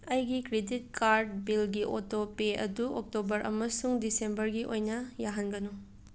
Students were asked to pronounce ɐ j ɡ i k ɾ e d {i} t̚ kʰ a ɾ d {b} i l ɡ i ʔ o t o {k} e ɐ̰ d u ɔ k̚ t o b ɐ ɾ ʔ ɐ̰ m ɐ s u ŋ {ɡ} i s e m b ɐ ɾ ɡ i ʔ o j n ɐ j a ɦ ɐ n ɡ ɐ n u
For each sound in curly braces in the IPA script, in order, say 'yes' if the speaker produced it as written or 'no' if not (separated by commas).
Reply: yes, yes, no, no